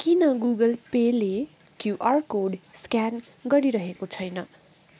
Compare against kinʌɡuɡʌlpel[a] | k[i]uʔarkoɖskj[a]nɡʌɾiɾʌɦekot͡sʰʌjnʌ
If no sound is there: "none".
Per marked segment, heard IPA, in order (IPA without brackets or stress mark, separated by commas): e, j, a